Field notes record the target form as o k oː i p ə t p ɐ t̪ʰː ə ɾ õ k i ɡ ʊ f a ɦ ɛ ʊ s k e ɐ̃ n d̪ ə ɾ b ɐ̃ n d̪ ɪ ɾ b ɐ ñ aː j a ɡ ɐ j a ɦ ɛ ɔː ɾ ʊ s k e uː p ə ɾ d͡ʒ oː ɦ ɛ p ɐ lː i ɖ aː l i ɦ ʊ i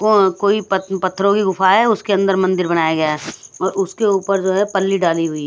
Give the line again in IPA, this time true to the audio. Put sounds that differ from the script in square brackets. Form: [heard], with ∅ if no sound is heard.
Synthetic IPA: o k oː i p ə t p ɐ t̪ʰː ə ɾ õ k i ɡ ʊ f a ɦ ɛ ʊ s k e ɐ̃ n d̪ ə ɾ [m] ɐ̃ n d̪ ɪ ɾ b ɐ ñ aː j a ɡ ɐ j a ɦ ɛ ɔː ɾ ʊ s k e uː p ə ɾ d͡ʒ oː ɦ ɛ p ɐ lː i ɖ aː l i ɦ ʊ i